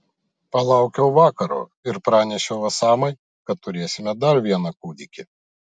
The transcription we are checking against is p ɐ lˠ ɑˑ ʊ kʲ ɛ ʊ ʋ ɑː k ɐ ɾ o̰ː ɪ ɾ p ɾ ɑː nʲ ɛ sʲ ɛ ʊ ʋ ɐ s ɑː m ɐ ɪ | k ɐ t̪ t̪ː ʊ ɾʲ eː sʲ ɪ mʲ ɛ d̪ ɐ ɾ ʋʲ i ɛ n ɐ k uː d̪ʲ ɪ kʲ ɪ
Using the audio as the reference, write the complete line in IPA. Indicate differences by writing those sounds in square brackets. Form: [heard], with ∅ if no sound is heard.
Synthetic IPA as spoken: p ɐ lˠ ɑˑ ʊ kʲ ɛ ʊ ʋ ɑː k ɐ ɾ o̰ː ɪ ɾ p ɾ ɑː nʲ ɛ [ʃʲ] ɛ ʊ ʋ ɐ s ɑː m ɐ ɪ | k ɐ t̪ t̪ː ʊ ɾʲ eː sʲ ɪ mʲ ɛ d̪ ɐ ɾ ʋʲ i ɛ n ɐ k uː d̪ʲ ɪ kʲ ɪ